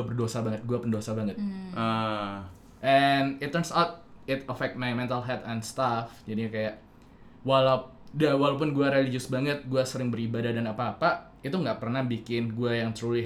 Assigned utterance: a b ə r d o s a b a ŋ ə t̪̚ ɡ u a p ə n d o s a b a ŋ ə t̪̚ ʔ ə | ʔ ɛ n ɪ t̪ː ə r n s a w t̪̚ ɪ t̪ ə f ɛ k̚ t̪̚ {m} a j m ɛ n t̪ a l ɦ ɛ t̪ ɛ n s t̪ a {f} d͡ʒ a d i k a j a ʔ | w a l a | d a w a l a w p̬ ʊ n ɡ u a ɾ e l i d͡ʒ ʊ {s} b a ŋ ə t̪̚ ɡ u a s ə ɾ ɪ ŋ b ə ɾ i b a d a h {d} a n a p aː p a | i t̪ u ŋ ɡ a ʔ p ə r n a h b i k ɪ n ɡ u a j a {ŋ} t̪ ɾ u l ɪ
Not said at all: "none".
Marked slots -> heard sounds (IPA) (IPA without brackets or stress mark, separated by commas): m, f, s, d, ŋ